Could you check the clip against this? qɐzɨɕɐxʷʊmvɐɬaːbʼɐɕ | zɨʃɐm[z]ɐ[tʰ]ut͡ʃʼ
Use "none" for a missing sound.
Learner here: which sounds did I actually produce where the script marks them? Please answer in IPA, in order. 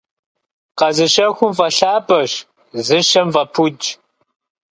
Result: v, pʰ

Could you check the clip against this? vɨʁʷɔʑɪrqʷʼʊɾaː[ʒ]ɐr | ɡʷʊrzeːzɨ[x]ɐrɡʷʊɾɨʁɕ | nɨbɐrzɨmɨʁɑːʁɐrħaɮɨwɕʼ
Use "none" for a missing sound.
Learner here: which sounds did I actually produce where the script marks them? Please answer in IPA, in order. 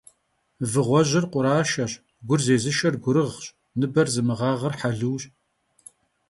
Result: ʃ, ʃ

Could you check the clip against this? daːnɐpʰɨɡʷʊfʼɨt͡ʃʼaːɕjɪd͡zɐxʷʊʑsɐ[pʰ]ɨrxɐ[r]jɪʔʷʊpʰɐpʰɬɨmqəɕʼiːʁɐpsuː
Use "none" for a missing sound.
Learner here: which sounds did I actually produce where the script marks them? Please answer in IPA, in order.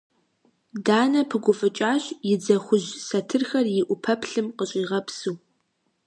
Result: tʰ, r

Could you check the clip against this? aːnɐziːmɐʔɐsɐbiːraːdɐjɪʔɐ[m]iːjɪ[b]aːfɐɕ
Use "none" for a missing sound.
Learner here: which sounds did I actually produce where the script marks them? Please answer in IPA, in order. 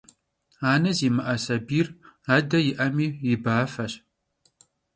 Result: m, b

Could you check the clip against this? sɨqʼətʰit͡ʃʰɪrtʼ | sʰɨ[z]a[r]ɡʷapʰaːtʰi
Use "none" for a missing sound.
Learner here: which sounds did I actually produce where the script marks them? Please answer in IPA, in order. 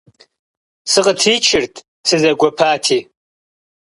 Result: z, none

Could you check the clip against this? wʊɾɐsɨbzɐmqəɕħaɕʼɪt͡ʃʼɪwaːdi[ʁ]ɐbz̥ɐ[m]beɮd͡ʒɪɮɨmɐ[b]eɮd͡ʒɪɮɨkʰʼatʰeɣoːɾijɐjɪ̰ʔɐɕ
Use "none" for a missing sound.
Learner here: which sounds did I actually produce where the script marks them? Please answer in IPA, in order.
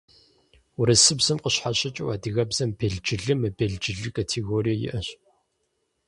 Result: ɣ, m, b

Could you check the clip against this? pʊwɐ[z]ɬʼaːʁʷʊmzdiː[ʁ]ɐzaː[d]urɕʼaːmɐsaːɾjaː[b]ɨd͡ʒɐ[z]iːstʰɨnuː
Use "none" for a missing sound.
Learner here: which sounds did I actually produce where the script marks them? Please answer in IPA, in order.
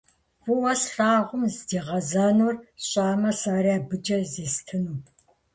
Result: s, ʁ, n, b, z

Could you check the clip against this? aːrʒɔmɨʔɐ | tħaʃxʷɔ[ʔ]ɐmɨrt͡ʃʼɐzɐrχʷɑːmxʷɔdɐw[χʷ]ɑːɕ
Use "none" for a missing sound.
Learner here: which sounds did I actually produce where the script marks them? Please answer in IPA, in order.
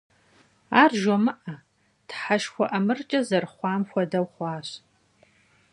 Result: ʔ, χʷ

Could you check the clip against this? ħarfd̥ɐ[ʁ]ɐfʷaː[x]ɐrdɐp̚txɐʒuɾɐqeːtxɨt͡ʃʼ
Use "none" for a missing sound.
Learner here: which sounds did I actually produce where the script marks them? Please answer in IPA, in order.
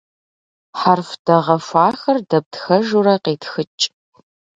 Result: ʁ, x

